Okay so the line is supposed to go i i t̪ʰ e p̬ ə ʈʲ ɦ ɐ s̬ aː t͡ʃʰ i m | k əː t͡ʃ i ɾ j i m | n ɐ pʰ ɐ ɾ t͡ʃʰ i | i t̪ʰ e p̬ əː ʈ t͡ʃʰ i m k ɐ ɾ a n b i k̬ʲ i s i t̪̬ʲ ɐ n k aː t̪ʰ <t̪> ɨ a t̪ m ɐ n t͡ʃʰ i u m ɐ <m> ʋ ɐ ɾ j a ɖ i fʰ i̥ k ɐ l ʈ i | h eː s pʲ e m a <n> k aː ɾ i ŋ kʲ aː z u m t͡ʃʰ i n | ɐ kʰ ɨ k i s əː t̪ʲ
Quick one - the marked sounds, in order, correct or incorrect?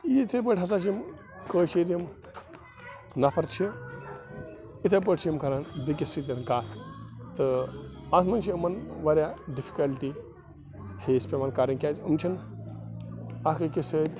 correct, incorrect, correct

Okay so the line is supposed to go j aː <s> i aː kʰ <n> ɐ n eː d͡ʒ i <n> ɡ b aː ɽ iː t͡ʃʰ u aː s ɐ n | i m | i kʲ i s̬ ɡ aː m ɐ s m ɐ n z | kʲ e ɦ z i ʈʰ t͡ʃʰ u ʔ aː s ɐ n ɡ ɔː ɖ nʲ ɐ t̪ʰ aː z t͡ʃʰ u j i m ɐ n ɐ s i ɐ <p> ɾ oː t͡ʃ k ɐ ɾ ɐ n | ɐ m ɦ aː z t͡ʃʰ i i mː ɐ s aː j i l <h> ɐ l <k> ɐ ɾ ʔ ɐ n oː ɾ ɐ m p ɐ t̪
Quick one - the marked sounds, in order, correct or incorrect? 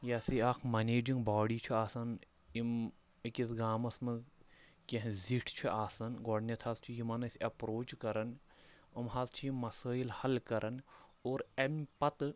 correct, incorrect, incorrect, correct, correct, correct

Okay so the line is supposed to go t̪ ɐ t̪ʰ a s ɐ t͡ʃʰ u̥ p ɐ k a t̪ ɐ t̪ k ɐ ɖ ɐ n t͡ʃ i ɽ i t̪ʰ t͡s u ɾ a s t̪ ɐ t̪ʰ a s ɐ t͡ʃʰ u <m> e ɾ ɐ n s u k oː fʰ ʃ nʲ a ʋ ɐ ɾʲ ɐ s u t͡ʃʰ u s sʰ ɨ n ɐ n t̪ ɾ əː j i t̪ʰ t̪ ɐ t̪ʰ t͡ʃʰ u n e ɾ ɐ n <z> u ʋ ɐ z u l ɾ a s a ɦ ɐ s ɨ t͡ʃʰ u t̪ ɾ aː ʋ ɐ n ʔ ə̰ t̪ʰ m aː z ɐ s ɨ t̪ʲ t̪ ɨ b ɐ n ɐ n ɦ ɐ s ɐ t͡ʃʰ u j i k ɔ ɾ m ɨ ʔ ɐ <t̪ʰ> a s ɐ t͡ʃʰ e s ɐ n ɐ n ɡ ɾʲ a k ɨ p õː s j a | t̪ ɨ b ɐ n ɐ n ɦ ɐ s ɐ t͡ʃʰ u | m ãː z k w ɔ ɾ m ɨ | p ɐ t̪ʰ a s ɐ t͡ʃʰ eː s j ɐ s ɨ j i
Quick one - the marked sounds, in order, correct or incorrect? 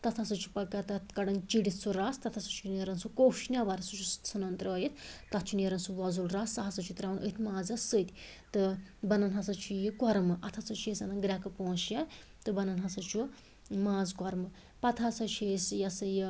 incorrect, incorrect, correct

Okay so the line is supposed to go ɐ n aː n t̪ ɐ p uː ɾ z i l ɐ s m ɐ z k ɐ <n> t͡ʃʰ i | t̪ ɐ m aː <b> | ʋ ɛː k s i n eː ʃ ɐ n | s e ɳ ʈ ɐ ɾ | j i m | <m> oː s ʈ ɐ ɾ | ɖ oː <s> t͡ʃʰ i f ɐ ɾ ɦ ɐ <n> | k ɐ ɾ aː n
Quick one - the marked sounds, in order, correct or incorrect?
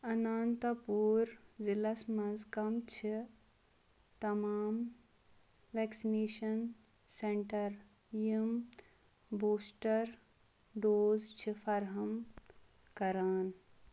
incorrect, incorrect, incorrect, incorrect, incorrect

